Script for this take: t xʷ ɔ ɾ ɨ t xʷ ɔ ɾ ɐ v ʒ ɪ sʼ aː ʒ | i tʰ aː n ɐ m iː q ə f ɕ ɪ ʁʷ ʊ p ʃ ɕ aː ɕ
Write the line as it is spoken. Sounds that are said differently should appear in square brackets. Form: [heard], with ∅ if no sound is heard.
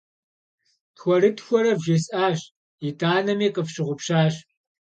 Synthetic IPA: t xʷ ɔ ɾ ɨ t xʷ ɔ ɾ ɐ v ʒ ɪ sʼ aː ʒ | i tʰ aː n ɐ m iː q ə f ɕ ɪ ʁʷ ʊ p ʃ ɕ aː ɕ